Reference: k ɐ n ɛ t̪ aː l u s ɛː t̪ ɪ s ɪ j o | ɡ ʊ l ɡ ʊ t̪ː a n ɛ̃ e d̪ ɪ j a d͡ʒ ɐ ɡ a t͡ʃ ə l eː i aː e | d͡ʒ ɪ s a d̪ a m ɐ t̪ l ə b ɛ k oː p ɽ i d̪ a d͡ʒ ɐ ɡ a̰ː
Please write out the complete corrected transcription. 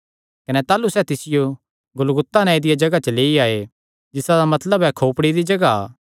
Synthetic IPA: k ɐ n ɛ t̪ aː l u s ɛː t̪ ɪ s ɪ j o | ɡ ʊ l ɡ ʊ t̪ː a n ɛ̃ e d̪ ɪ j a d͡ʒ ɐ ɡ a t͡ʃ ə l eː i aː e | d͡ʒ ɪ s a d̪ a m ɐ t̪ l ə b ɛ kʰ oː p ɽ i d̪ i d͡ʒ ɐ ɡ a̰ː